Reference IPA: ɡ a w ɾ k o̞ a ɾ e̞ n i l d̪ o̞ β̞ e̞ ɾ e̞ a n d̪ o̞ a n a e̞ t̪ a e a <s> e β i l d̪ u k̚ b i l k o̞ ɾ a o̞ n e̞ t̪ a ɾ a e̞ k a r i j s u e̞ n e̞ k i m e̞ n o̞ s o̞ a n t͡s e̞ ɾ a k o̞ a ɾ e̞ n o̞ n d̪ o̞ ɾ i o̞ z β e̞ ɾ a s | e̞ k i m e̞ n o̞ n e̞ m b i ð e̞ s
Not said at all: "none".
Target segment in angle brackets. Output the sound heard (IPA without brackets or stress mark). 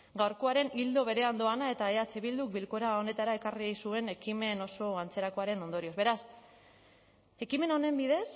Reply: t͡s